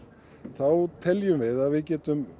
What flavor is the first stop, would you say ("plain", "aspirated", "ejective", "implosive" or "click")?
aspirated